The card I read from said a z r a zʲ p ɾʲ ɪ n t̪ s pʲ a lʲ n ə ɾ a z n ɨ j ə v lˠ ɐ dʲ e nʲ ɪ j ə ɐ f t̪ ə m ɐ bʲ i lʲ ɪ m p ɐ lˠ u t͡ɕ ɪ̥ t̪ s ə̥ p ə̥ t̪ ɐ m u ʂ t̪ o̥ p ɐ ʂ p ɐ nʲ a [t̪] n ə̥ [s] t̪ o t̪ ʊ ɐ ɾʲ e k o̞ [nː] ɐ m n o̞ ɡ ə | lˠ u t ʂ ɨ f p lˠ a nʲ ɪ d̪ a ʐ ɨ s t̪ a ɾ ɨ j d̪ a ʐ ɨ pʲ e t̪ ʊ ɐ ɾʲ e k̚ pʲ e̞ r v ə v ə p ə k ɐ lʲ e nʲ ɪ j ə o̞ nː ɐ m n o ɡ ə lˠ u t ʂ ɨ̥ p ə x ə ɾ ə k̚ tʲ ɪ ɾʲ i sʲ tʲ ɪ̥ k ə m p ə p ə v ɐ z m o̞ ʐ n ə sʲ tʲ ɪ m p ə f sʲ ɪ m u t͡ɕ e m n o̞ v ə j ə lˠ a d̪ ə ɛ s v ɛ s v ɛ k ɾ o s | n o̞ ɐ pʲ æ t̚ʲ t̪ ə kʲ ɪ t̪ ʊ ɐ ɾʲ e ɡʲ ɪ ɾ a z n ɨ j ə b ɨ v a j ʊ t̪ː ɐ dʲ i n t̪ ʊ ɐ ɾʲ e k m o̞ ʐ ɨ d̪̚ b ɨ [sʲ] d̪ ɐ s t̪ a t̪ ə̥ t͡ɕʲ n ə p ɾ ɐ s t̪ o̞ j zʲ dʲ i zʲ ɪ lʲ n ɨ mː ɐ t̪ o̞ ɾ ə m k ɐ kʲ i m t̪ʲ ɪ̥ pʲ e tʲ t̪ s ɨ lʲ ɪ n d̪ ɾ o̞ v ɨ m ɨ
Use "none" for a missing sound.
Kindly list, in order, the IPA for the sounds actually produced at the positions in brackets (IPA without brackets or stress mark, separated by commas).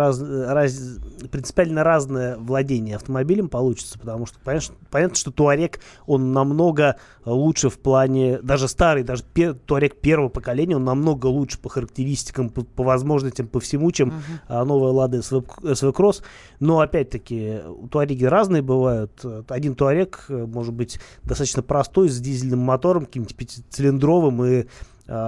t̪, ʂ, nː, tʲ